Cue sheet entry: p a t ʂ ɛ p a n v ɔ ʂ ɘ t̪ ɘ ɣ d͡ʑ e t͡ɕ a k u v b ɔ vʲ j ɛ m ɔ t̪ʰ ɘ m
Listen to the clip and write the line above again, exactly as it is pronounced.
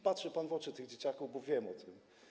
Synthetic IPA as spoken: p a t ʂ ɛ p a n v ɔ t͡ʂ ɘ t̪ ɘ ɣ d͡ʑ e t͡ɕ a k u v b ɔ vʲ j ɛ m ɔ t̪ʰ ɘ m

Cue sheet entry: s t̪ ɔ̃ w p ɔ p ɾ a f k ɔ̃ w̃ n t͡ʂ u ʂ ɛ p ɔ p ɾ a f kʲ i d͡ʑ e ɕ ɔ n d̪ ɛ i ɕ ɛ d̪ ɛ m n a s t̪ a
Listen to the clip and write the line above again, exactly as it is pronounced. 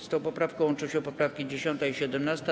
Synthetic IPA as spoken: s t̪ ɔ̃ w p ɔ p ɾ a f k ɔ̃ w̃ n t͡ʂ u ɕ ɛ p ɔ p ɾ a f kʲ i d͡ʑ e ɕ ɔ n t̪ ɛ i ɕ ɛ d̪ ɛ m n a s t̪ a

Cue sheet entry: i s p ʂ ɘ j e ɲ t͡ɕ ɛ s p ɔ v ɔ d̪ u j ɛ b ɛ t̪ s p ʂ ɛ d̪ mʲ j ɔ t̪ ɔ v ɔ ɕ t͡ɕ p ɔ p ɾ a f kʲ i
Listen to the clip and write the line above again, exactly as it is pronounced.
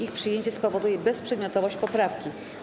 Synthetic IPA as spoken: i x p ʂ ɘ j e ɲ t͡ɕ ɛ s p ɔ v ɔ d̪ u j ɛ b ɛ s p ʂ ɛ d̪ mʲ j ɔ t̪ ɔ v ɔ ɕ t͡ɕ p ɔ p ɾ a f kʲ i

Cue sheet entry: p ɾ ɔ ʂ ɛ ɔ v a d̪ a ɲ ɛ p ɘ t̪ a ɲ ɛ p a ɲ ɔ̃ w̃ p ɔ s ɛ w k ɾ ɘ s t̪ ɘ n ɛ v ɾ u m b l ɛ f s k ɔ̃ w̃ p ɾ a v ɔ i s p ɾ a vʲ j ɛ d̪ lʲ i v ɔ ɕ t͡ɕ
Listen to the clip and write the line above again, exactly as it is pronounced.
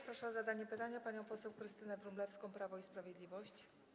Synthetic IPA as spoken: p ɾ ɔ ʂ ɛ ɔ z a d̪ a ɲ ɛ p ɘ t̪ a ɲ a p a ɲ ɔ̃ w̃ p ɔ s ɛ w k ɾ ɘ s t̪ ɘ n ɛ v ɾ u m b l ɛ f s k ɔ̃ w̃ p ɾ a v ɔ i s p ɾ a vʲ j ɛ d̪ lʲ i v ɔ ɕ t͡ɕ

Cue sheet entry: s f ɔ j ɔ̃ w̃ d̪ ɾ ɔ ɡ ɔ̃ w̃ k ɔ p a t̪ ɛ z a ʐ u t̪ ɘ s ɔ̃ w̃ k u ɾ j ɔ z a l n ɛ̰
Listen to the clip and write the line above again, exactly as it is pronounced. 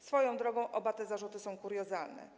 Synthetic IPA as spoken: s f ɔ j ɔ̃ w̃ d̪ ɾ ɔ ɡ ɔ̃ w̃ ʔ ɔ b a t̪ ɛ z a ʐ u t̪ ɘ s ɔ̃ w̃ k u ɾ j ɔ z a l n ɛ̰

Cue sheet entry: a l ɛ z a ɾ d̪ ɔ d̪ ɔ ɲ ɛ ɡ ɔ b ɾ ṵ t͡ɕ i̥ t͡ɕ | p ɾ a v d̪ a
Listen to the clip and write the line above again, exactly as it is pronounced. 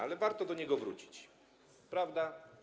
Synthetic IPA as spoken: a l ɛ v a ɾ t̪ ɔ d̪ ɔ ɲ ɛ ɡ ɔ v ɾ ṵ t͡ɕ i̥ t͡ɕ | p ɾ a v d̪ a

